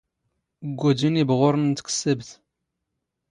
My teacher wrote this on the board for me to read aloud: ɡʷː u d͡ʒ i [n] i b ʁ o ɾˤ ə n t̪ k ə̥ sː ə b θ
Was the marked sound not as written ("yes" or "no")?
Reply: no